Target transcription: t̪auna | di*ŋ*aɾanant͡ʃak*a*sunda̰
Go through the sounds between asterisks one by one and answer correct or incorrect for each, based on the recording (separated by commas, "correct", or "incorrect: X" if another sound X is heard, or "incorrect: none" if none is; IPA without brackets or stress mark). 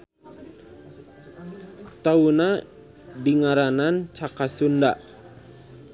correct, correct